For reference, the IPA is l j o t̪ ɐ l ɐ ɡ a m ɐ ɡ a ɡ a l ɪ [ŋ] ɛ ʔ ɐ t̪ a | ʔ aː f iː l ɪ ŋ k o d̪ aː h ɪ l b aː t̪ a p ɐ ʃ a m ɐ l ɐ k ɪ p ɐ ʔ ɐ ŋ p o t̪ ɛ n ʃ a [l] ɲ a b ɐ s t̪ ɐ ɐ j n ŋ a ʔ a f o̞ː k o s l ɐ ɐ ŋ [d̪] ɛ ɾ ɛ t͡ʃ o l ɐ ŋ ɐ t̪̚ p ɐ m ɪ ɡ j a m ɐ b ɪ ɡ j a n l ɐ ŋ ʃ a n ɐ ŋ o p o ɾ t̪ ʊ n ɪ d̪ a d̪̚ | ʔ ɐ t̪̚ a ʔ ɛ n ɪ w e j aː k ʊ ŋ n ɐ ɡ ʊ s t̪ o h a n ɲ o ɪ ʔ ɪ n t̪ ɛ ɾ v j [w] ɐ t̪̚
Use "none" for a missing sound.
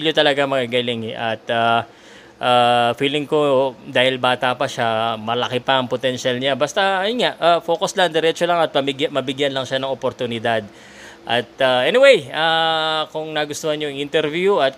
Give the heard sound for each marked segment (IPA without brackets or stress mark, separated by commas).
ŋ, l, d̪, u